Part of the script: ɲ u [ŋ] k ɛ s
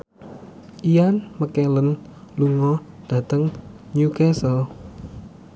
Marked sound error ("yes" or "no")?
yes